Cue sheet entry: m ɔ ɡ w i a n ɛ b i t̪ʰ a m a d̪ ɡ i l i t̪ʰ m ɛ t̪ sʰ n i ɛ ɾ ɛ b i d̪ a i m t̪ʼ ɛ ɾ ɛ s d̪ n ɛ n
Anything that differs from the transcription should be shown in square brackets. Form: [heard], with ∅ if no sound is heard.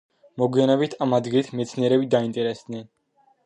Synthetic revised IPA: m ɔ ɡ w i a n ɛ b i t̪ʰ a m a d̪ ɡ i l i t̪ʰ m ɛ t̪ sʰ n i ɛ ɾ ɛ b i d̪ a i [n] t̪ʼ ɛ ɾ ɛ s d̪ n ɛ n